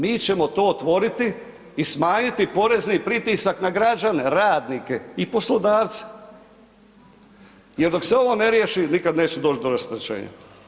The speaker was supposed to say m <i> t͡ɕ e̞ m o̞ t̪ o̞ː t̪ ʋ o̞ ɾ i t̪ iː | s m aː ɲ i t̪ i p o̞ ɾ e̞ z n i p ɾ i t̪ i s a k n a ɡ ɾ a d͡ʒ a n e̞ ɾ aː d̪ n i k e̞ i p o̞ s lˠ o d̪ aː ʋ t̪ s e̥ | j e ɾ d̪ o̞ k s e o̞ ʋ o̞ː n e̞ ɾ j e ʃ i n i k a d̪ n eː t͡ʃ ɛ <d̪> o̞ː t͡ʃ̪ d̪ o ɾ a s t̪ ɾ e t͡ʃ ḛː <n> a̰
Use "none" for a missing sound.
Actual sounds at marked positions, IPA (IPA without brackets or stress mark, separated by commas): iː, d̪, ɲ